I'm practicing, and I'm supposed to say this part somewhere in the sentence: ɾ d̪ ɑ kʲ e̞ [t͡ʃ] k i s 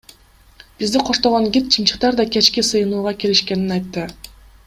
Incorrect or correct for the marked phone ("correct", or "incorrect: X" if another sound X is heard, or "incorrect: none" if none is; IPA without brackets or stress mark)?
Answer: correct